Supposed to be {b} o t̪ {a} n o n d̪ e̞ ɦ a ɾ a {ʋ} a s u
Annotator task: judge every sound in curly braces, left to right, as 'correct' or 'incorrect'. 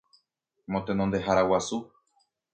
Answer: incorrect: m, incorrect: e, incorrect: w

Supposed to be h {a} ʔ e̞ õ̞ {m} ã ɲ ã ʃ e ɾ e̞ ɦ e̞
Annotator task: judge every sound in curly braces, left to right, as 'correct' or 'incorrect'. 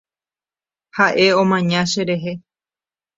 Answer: correct, correct

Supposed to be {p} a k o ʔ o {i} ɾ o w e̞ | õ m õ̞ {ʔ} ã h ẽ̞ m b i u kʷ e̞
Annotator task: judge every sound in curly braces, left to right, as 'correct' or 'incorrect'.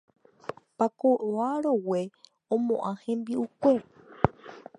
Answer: correct, incorrect: a, correct

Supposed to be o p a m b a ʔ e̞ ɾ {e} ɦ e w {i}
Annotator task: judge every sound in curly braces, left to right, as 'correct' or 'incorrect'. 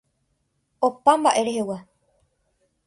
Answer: correct, incorrect: a

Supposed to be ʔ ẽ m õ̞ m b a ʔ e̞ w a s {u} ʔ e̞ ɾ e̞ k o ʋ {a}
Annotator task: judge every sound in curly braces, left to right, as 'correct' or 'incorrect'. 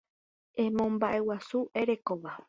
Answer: correct, correct

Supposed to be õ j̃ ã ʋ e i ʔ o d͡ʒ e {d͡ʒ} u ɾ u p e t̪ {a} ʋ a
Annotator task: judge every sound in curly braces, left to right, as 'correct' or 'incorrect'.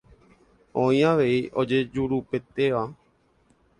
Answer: correct, incorrect: e

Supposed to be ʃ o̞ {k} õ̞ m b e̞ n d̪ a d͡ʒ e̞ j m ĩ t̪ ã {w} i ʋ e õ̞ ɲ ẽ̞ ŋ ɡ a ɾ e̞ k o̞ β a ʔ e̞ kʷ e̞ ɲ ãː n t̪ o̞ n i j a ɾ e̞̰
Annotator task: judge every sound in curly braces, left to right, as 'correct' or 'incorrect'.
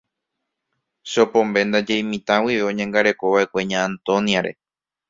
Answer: incorrect: p, correct

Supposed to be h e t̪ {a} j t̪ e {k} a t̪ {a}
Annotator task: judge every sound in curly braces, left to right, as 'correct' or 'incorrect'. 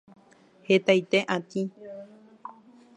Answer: correct, incorrect: ʔ, incorrect: i

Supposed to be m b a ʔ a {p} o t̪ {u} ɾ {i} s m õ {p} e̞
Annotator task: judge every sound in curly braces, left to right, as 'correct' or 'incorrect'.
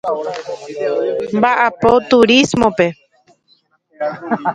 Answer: correct, correct, correct, correct

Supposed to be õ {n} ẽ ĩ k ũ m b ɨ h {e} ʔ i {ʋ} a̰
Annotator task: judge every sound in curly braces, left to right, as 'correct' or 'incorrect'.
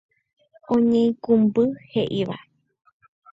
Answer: incorrect: ɲ, correct, correct

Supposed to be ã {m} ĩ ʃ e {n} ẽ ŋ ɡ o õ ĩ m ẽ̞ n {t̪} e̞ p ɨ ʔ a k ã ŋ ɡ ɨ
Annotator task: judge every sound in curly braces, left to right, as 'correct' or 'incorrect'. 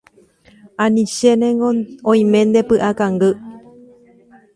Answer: incorrect: n, correct, incorrect: d̪

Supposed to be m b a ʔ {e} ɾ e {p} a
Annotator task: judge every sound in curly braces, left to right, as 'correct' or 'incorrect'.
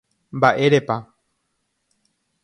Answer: correct, correct

